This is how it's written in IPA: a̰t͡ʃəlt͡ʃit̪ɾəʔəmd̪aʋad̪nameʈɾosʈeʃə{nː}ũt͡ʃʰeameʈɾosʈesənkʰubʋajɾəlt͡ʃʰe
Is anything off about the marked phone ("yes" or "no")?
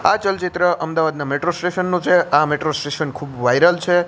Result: no